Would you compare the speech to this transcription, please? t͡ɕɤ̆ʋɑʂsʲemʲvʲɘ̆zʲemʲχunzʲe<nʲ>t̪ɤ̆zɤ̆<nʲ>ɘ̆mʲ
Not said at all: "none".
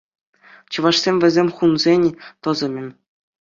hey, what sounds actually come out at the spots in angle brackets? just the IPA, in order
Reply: nʲ, mʲ

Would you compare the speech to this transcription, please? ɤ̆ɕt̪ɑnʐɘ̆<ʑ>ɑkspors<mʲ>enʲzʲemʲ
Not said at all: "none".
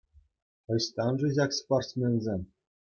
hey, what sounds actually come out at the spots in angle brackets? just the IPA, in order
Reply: ʑ, mʲ

